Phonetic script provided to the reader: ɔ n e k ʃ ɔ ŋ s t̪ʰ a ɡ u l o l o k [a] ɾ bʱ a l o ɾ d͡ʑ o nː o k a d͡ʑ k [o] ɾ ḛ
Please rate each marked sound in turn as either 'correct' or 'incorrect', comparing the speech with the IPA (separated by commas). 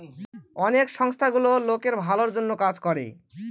incorrect, incorrect